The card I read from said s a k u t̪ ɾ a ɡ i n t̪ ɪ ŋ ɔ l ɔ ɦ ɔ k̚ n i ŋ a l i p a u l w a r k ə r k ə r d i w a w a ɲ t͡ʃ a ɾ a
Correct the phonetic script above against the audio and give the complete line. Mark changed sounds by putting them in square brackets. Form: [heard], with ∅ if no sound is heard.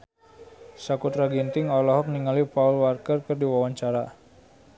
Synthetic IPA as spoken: s a k u t̪ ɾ a ɡ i n t̪ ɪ ŋ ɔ l ɔ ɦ ɔ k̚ n i ŋ a l i p a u l w a r k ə r k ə r d i w a w a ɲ t͡ʃ a ɾ a